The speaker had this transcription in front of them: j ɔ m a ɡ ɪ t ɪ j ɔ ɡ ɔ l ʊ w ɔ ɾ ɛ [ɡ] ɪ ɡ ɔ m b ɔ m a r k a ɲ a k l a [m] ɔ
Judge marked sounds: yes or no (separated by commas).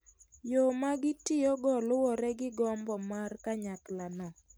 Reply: yes, no